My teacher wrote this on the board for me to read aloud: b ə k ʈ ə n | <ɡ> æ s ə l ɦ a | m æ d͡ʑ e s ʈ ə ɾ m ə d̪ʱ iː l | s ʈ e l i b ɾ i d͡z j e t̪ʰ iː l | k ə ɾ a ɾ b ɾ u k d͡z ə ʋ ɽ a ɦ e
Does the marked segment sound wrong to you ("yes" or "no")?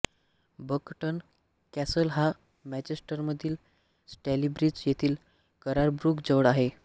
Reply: yes